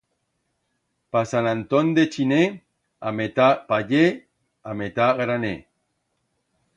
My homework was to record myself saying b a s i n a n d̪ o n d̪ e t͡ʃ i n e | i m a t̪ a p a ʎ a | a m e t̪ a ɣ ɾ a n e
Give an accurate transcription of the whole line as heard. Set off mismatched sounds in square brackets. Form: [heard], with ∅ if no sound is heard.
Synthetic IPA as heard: [p] a s [a] n a n [t̪] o n d̪ e t͡ʃ i n e | [a] m [e] t̪ a p a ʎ [e] | a m e t̪ a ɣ ɾ a n e